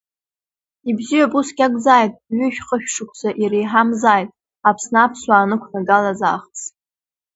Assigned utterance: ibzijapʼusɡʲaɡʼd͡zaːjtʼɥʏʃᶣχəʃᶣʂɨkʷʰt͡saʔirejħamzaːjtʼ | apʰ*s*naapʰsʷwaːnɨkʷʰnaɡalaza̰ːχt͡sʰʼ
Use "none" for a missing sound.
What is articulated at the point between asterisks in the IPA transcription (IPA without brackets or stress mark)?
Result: s